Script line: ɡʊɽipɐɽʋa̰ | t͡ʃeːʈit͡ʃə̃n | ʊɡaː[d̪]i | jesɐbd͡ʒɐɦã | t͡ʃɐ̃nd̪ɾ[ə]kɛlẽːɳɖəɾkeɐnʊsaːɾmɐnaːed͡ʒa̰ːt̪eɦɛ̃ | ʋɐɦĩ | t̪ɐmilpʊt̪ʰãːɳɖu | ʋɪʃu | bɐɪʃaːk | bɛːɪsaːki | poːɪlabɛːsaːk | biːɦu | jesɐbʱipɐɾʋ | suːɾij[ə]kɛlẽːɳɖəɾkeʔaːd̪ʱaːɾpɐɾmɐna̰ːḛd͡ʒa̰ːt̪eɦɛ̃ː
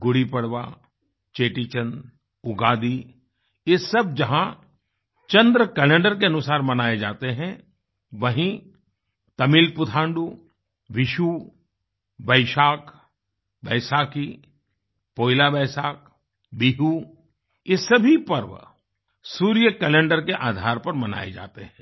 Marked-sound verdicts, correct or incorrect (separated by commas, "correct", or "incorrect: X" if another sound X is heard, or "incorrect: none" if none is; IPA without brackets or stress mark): correct, correct, correct